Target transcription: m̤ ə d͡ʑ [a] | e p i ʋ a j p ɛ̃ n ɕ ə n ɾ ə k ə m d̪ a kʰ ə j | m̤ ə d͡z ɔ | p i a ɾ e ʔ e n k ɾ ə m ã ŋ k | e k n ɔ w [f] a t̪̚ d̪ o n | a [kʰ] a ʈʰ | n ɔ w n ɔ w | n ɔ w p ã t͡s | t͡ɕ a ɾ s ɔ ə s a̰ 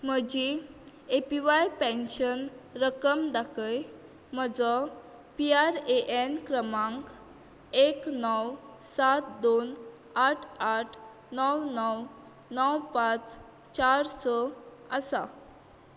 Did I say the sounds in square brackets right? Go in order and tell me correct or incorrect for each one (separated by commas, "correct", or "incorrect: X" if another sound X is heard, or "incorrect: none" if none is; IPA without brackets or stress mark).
incorrect: i, incorrect: s, incorrect: ʈʰ